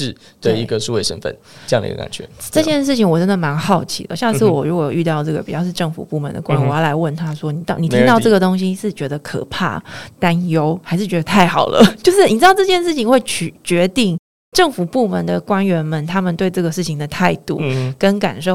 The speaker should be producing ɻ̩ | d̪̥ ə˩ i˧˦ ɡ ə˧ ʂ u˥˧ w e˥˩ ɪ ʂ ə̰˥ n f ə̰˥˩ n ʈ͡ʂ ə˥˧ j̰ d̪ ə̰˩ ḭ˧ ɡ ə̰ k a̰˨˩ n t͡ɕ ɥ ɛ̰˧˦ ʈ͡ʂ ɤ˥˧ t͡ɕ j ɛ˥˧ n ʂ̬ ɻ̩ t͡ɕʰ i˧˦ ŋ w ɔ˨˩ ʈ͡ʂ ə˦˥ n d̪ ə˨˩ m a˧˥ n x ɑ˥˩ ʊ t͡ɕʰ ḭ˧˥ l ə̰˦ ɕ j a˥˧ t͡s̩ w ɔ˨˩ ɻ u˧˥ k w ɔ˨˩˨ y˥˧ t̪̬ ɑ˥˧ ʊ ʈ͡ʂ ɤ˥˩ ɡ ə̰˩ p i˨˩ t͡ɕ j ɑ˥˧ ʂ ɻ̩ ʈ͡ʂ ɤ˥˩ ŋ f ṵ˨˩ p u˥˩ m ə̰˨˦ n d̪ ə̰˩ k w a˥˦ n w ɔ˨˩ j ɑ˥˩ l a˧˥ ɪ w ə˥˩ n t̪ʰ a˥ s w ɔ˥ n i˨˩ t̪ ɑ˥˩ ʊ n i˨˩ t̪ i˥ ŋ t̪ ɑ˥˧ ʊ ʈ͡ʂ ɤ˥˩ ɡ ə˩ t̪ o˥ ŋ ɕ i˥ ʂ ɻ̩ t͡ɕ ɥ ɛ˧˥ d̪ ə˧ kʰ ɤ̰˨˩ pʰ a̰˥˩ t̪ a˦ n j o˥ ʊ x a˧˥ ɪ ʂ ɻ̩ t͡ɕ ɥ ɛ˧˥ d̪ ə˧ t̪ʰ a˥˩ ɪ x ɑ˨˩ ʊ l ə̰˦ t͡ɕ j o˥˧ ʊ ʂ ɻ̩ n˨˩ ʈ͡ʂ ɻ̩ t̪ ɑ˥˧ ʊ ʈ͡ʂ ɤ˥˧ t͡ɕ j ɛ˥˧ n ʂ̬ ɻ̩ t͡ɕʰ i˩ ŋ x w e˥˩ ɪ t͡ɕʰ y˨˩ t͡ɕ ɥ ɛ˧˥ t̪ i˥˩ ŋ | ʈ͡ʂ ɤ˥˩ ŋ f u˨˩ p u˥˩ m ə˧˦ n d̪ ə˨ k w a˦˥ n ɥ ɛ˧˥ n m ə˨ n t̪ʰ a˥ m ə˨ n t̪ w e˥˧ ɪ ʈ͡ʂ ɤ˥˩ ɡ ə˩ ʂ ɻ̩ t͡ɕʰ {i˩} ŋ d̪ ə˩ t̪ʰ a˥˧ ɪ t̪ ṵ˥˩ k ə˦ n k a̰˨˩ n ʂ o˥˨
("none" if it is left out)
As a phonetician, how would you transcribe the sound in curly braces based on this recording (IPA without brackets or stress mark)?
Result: i˩